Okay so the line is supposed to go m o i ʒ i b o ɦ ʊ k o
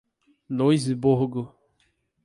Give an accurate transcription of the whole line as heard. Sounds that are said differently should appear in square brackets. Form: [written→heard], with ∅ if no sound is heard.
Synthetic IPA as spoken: [m→n] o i [ʒ→z] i b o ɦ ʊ [k→ɡ] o